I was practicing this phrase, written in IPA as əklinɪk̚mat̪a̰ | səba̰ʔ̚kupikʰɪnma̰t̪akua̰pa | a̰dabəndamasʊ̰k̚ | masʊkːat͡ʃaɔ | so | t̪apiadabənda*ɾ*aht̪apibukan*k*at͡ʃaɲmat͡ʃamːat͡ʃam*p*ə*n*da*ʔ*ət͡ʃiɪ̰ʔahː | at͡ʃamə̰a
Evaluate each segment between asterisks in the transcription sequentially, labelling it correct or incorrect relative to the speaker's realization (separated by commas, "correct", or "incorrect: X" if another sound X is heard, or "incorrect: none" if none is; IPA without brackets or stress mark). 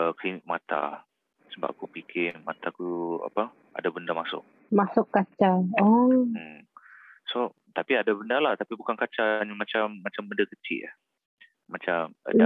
incorrect: l, correct, incorrect: b, correct, incorrect: k